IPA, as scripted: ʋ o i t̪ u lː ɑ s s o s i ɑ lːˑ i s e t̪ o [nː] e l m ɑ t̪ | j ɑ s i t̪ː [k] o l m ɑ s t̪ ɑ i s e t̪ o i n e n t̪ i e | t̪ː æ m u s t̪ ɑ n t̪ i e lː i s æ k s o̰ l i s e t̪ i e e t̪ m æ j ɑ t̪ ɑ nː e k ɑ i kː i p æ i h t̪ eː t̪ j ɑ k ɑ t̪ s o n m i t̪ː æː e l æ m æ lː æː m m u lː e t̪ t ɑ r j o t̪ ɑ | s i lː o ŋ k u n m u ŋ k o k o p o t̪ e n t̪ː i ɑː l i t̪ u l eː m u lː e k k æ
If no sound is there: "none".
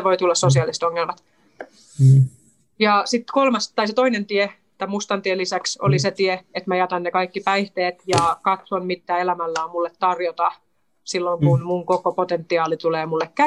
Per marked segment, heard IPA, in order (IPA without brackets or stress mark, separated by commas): ŋː, k